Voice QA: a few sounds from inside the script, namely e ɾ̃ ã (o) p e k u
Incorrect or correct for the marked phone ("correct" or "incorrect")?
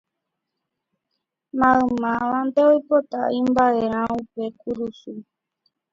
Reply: incorrect